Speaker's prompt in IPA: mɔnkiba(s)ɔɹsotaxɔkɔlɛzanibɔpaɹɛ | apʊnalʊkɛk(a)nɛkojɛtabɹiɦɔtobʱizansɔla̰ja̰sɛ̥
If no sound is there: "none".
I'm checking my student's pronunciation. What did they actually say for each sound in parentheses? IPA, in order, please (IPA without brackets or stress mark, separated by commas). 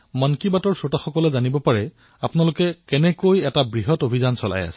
t, ɛ